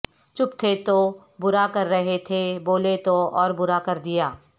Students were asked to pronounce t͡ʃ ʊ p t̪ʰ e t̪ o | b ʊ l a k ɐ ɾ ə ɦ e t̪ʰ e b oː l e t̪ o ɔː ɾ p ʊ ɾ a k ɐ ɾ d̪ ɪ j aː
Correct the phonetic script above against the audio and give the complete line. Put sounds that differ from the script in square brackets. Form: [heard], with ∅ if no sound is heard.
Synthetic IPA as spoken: t͡ʃ ʊ p t̪ʰ e t̪ o | b ʊ [ɾ] a k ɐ [ɾː] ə ɦ e t̪ʰ e b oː l e t̪ o ɔː ɾ [b] ʊ ɾ a k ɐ ɾ d̪ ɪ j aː